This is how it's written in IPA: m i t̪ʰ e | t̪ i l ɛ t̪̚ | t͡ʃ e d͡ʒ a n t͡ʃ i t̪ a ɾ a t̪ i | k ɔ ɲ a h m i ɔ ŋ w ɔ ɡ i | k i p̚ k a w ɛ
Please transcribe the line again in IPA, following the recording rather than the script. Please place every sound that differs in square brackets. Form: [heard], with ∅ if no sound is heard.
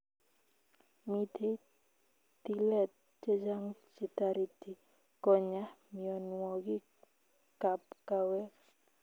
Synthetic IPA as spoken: m i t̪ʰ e | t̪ i l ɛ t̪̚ | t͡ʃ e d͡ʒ a [ŋ] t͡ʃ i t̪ a ɾ [i] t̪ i | k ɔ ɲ a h m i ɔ [n] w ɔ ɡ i | k [a] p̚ k a w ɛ